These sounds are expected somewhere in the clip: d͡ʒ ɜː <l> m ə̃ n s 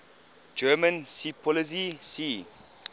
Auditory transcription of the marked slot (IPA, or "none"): none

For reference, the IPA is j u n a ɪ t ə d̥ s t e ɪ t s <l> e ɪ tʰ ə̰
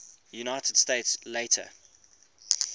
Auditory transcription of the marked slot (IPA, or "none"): l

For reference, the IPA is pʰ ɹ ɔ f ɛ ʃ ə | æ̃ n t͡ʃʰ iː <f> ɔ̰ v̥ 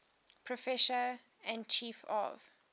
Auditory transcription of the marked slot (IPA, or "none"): f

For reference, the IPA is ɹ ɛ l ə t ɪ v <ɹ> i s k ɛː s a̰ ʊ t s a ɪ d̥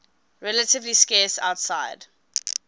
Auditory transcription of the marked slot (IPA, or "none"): l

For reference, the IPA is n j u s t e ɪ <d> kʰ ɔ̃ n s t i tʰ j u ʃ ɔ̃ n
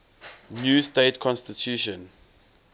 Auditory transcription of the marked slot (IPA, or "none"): t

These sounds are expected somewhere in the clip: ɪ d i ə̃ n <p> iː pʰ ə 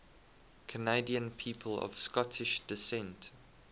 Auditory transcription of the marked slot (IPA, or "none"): pʰ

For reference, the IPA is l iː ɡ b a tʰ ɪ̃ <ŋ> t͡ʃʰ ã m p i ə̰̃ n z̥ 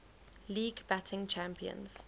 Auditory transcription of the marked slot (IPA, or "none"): ŋ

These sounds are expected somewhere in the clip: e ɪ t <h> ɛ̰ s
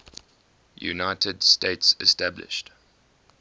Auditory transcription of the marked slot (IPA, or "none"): s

